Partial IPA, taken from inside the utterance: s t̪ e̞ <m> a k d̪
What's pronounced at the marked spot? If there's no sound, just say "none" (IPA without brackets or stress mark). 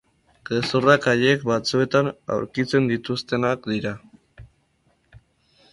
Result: n